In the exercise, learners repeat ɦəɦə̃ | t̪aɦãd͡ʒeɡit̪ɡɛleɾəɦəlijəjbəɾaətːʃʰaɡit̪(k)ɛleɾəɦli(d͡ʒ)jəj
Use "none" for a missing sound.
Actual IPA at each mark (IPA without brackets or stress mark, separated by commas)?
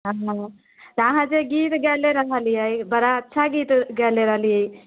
ɡ, none